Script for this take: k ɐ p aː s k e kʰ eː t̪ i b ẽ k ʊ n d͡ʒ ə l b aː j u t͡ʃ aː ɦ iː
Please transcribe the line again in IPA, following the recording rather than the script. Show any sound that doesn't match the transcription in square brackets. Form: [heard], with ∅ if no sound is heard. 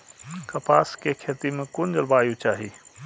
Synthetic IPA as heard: k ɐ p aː s k e kʰ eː t̪ i [m] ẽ k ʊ n d͡ʒ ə l b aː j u t͡ʃ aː ɦ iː